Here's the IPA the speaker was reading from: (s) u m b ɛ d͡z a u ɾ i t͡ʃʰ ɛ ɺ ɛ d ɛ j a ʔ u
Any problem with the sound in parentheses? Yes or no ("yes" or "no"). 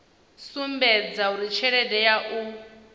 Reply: no